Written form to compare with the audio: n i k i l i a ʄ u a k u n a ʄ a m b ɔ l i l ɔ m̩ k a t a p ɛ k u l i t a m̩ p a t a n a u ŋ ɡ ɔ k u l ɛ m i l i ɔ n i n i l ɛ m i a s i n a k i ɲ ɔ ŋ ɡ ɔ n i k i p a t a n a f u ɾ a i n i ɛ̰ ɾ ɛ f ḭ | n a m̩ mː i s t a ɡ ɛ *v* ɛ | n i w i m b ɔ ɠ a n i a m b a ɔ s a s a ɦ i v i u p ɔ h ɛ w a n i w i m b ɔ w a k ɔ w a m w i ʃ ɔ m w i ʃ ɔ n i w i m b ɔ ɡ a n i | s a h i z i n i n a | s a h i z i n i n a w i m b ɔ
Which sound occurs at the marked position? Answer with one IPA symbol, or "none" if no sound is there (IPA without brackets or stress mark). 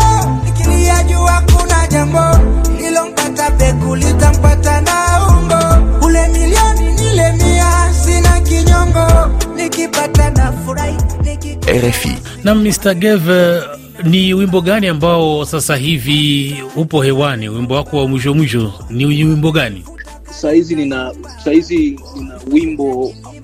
v